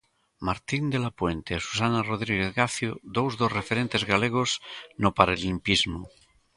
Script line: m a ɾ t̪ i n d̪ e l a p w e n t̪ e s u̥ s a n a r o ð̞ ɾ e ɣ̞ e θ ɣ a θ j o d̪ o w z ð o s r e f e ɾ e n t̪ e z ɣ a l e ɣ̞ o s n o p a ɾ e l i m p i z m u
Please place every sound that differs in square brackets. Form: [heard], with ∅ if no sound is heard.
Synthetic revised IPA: m a ɾ t̪ i n d̪ e l a p w e n t̪ e s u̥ s a n a r o ð̞ ɾ [i] ɣ̞ e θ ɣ a θ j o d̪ o w z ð o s r e f e ɾ e n t̪ e z ɣ a l e ɣ̞ o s n o p a ɾ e l i m p i z m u